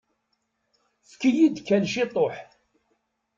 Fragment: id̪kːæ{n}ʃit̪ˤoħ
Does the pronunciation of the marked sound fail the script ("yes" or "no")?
no